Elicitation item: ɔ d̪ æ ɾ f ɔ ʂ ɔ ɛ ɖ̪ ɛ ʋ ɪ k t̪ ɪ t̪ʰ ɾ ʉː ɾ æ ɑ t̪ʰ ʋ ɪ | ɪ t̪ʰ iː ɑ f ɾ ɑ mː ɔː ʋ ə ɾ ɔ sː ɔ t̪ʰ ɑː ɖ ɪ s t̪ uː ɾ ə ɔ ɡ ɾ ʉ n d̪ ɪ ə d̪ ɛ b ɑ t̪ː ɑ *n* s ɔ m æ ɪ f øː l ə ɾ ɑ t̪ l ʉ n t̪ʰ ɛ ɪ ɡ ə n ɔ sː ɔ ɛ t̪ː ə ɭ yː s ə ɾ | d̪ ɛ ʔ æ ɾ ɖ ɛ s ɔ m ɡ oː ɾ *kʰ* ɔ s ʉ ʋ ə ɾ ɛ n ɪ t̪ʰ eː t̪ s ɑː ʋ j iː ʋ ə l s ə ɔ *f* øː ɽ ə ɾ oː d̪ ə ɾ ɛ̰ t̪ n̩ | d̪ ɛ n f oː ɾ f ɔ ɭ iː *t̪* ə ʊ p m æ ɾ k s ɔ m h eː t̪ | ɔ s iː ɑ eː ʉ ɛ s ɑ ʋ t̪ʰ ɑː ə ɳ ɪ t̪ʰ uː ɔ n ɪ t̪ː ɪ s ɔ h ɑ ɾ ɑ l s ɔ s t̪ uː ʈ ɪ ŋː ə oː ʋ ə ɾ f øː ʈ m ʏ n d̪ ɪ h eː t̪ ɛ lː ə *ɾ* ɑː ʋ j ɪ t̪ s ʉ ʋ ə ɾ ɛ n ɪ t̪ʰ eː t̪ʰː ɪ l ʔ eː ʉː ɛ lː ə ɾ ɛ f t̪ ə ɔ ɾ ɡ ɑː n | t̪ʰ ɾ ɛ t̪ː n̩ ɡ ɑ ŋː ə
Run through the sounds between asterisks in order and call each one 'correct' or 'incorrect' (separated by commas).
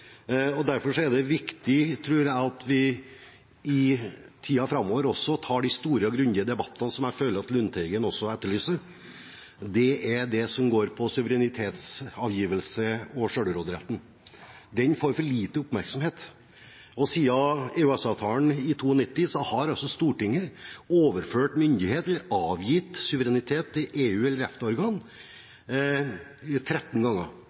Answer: correct, incorrect, incorrect, correct, correct